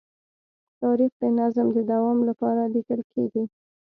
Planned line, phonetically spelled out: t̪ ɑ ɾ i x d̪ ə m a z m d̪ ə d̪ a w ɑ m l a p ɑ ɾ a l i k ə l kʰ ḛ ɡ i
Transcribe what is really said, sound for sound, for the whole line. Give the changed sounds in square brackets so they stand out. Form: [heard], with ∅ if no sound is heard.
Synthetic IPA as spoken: t̪ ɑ ɾ i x d̪ ə [n] a z m d̪ ə d̪ a w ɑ m l a p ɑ ɾ a l i k ə l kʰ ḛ ɡ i